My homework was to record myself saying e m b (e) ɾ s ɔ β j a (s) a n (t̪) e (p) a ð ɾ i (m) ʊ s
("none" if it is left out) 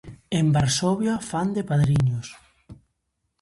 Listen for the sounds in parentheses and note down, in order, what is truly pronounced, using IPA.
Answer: a, f, d̪, p, ɲ

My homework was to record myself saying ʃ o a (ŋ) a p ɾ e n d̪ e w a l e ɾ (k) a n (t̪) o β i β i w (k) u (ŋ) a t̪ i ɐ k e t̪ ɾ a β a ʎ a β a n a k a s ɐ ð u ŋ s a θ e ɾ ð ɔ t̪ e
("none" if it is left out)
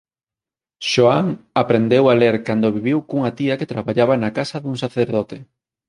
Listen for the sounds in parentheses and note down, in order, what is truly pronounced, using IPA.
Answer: ŋ, k, d̪, k, ŋ

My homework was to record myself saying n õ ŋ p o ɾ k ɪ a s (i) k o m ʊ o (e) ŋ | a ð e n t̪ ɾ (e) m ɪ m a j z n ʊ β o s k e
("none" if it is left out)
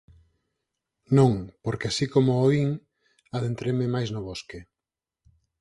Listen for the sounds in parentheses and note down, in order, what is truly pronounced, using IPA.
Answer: i, i, e

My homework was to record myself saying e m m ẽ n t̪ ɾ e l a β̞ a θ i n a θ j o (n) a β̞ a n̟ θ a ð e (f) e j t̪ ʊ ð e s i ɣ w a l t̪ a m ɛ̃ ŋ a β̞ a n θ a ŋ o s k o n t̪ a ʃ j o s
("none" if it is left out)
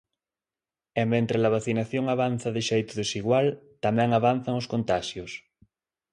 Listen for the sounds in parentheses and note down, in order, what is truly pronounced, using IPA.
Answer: ŋ, ʃ

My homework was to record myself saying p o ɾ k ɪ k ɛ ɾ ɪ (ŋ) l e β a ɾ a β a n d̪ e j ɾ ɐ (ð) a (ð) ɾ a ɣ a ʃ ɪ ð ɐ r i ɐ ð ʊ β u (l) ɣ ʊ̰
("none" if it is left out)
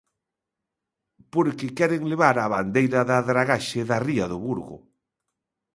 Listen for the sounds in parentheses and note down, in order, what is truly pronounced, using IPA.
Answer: ŋ, ð, ð, ɾ

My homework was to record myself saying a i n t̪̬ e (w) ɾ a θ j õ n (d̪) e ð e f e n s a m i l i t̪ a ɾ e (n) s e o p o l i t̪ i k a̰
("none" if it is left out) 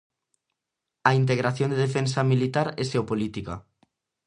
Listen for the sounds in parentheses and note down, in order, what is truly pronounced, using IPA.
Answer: ɣ, d̪, none

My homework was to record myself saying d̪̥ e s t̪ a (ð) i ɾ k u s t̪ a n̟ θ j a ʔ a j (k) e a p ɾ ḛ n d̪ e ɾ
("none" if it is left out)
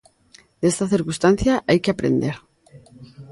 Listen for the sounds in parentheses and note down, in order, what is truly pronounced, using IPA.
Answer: θ, k

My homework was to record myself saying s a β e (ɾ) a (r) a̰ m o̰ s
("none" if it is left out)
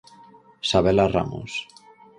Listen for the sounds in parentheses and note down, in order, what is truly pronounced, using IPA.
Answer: l, r

